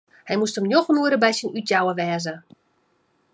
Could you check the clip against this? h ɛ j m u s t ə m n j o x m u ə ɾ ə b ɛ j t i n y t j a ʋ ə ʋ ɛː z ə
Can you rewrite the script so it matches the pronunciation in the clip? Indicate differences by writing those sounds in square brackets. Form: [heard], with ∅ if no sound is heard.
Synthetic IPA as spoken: h ɛ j m u s t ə m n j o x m u ə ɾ ə b ɛ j [s] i n y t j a [w] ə ʋ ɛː z ə